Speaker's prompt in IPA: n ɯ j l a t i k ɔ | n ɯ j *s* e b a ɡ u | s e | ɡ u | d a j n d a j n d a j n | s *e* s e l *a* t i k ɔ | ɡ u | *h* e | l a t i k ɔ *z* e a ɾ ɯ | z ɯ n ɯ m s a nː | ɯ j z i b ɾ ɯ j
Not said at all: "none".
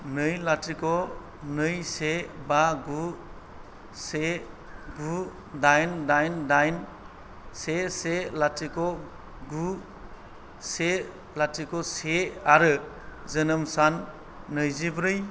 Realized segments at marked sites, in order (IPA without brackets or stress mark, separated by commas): s, e, a, s, s